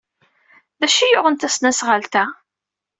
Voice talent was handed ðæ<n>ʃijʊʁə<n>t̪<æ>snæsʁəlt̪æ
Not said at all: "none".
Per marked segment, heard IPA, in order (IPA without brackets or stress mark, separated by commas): none, n, æ